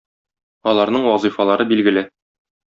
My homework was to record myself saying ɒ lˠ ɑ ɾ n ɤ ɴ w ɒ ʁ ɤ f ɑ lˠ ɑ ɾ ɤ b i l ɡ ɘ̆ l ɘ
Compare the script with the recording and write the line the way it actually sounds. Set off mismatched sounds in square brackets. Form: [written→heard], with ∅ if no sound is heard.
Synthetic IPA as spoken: ɒ lˠ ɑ ɾ n ɤ ɴ w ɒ [ʁ→z] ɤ f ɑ lˠ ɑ ɾ ɤ b i l ɡ ɘ̆ l ɘ